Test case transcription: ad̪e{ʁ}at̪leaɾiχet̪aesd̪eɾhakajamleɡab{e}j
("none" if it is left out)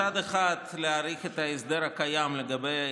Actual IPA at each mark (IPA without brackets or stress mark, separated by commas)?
χ, e